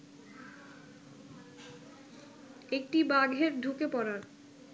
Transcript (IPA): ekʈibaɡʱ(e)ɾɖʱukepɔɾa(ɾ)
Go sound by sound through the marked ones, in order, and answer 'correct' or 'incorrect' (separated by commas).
correct, correct